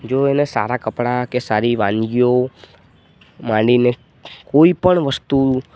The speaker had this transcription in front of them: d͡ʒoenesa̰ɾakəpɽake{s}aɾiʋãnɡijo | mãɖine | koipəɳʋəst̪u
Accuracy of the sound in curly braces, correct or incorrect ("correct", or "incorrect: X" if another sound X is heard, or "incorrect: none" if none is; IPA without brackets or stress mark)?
correct